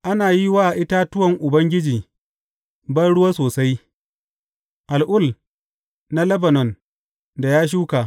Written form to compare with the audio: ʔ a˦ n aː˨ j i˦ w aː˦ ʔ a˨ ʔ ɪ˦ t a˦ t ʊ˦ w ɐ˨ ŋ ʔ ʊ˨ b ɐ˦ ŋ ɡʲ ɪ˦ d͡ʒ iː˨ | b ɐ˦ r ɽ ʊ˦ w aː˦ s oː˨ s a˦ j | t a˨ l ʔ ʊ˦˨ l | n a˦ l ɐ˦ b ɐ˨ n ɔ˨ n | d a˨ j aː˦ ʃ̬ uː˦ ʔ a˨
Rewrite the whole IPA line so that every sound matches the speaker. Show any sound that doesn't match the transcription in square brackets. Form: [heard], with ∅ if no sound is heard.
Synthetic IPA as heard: ʔ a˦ n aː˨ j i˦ w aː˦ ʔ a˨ ʔ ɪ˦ t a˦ t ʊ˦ w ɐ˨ ŋ ʔ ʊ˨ b ɐ˦ ŋ ɡʲ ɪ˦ d͡ʒ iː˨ | b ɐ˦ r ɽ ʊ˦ w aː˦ s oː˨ s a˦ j | [ʔ] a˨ l ʔ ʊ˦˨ l | n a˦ l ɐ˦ b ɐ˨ n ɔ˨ n | d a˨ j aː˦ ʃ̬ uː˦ [k] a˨